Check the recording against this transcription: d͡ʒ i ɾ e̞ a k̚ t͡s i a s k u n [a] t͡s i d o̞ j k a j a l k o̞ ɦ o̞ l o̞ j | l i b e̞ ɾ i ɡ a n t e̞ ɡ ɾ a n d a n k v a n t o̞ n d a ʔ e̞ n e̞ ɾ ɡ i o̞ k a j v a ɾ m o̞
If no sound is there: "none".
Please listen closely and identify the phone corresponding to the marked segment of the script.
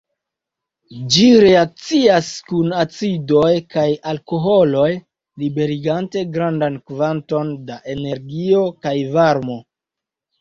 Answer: a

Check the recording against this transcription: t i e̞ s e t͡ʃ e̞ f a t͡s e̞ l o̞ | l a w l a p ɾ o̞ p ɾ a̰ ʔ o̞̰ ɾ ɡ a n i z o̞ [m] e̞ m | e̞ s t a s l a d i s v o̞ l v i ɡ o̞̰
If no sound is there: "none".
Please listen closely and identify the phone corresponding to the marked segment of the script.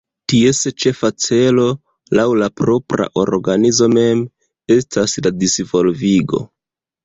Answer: m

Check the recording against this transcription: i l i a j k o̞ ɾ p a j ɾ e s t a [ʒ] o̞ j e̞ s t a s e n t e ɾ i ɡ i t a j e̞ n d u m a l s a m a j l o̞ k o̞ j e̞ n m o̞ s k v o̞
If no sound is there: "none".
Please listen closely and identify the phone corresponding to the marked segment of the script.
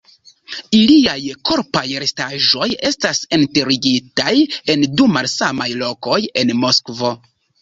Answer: ʒ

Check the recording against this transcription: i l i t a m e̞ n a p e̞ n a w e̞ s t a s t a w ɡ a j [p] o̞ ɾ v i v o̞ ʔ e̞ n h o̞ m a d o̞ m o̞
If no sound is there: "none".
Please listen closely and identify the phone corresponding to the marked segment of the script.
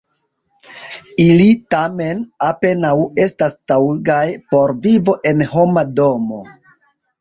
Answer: p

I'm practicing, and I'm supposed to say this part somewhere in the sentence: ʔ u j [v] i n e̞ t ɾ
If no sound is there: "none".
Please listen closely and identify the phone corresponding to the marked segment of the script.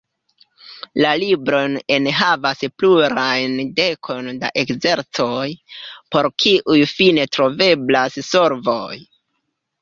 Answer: f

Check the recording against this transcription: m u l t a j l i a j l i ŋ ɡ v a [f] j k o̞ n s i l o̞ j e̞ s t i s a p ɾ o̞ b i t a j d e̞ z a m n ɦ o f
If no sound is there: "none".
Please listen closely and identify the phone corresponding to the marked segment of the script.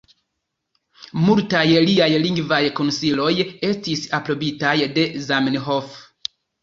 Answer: none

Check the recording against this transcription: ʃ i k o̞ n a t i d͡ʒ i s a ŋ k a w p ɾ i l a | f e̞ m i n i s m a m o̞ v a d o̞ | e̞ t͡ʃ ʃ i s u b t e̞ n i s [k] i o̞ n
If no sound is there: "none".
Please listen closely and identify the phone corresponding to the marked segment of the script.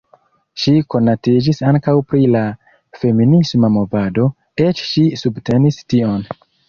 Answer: t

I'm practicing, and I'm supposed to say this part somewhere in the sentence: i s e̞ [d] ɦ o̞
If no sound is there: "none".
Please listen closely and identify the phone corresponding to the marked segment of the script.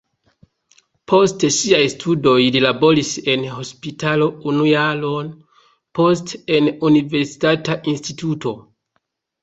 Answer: n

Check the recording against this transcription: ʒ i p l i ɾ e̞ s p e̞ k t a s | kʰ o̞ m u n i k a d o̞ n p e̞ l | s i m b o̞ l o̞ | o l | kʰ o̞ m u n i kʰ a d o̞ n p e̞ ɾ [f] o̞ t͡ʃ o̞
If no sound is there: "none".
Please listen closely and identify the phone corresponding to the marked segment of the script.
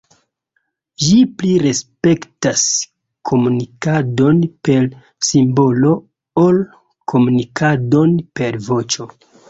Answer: v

